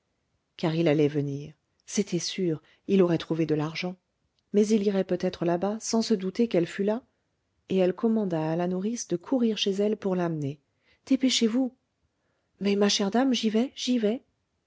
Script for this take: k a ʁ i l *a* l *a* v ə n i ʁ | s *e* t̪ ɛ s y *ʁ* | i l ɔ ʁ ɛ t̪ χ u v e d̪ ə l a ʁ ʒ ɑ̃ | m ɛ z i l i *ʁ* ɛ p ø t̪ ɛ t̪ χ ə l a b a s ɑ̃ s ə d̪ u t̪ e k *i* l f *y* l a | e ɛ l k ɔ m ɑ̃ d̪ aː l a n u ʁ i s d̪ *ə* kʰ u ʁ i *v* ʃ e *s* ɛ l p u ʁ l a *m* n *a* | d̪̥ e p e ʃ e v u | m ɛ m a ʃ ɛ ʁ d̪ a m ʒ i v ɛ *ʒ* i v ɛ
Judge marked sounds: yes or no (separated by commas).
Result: yes, no, yes, yes, yes, no, yes, yes, no, no, yes, no, yes